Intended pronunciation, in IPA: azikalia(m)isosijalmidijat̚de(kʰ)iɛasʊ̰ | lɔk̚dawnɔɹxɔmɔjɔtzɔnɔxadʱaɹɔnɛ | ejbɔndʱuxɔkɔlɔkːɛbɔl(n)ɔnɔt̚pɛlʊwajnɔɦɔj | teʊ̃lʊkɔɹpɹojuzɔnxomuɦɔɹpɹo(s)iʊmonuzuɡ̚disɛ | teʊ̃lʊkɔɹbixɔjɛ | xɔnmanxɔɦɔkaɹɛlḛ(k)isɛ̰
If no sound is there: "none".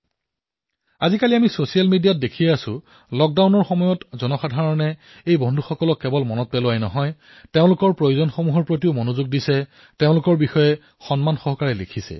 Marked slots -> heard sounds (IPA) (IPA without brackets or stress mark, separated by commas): m, kʰ, m, t, kʰ